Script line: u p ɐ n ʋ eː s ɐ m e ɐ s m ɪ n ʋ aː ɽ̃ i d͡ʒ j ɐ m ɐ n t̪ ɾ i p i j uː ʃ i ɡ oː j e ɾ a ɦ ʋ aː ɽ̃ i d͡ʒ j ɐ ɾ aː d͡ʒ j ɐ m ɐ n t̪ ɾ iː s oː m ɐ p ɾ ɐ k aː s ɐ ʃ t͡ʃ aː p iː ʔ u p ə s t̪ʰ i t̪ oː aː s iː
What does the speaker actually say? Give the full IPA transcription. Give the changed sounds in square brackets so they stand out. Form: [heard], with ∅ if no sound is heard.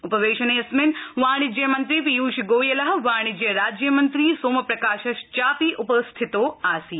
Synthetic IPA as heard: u p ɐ [∅] ʋ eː [ʃ] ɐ [n] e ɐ s m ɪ n ʋ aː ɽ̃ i d͡ʒ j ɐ m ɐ n t̪ ɾ i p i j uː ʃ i ɡ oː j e [l] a ɦ ʋ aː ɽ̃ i d͡ʒ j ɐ ɾ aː d͡ʒ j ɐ m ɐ n t̪ ɾ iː s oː m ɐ p ɾ ɐ k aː [ʃ] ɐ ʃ t͡ʃ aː p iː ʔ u p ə s t̪ʰ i t̪ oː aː s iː

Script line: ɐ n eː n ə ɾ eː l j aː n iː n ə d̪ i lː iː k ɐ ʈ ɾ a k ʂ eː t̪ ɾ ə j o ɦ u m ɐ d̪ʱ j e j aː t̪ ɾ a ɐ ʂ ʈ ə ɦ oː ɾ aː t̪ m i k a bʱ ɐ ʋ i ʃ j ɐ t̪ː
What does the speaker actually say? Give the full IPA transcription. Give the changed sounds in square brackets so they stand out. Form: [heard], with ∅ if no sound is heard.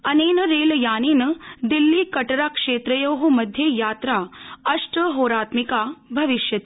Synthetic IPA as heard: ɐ n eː n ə ɾ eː l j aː n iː n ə d̪ i lː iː k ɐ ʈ ɾ a k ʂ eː t̪ ɾ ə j o ɦ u m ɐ d̪ʱ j e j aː t̪ ɾ a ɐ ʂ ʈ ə ɦ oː ɾ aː t̪ m i k a bʱ ɐ ʋ i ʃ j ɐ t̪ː

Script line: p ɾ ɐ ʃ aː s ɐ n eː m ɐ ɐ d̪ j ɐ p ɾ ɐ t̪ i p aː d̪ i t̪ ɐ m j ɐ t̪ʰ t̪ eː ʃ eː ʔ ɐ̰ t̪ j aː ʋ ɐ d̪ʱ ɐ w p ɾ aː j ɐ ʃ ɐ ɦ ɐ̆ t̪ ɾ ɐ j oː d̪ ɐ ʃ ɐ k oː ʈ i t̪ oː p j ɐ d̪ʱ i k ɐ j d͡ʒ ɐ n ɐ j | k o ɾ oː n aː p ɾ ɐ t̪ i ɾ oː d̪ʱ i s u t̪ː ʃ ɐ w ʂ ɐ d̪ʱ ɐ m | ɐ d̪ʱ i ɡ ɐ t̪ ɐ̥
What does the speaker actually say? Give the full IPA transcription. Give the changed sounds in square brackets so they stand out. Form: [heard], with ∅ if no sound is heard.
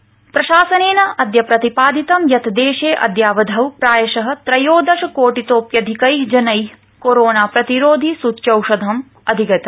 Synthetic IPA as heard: p ɾ ɐ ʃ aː s ɐ n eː [n] ɐ ɐ d̪ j ɐ p ɾ ɐ t̪ i p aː d̪ i t̪ ɐ m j ɐ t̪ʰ [d̪] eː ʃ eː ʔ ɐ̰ [d̪] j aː ʋ ɐ d̪ʱ ɐ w p ɾ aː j ɐ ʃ ɐ ɦ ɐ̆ t̪ ɾ ɐ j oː d̪ ɐ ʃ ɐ k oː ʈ i t̪ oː p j ɐ d̪ʱ i k ɐ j d͡ʒ ɐ n ɐ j | k o ɾ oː n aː p ɾ ɐ t̪ i ɾ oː d̪ʱ i s u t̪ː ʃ ɐ w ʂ ɐ d̪ʱ ɐ m | ɐ d̪ʱ i ɡ ɐ t̪ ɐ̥

